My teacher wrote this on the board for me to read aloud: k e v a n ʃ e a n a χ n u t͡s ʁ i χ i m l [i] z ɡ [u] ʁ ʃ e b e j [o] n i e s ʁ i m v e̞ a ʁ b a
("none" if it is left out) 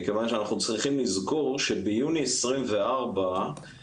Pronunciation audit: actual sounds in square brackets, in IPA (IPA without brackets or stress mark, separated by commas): i, o, u